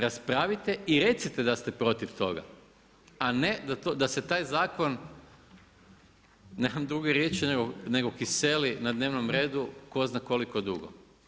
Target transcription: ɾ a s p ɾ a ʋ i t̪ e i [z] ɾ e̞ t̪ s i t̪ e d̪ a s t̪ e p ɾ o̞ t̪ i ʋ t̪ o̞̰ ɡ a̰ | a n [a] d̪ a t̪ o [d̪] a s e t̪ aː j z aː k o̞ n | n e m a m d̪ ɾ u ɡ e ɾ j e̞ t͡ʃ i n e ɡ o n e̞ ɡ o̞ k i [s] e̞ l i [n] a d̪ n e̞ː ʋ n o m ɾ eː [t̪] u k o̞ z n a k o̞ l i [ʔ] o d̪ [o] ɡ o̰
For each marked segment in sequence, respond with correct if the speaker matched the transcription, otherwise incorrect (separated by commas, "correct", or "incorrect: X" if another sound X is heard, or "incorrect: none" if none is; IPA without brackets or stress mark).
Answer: incorrect: none, incorrect: e, correct, correct, correct, incorrect: d̪, incorrect: k, incorrect: u